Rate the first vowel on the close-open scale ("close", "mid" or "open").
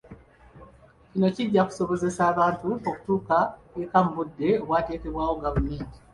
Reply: close